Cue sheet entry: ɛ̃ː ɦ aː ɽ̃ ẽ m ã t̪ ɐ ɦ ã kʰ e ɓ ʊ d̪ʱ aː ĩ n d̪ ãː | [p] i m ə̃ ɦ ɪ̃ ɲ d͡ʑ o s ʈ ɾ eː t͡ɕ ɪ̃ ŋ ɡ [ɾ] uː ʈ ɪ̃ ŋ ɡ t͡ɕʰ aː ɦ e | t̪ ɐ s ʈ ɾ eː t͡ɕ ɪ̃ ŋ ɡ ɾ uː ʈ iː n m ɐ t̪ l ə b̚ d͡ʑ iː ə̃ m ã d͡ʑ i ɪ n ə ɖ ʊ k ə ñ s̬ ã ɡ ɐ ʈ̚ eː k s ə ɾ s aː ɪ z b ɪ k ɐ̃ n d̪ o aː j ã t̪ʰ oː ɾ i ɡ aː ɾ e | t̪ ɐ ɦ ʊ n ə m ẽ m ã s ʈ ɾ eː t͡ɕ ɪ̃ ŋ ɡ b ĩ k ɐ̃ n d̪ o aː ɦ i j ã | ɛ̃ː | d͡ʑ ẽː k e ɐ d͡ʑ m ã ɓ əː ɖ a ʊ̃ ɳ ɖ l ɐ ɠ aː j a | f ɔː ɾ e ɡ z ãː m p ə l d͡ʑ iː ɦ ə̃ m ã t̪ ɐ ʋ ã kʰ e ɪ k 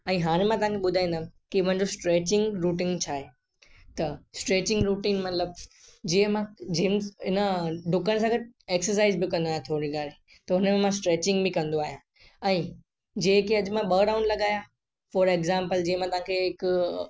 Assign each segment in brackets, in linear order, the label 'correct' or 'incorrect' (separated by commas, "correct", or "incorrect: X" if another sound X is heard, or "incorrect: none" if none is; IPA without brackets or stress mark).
incorrect: k, correct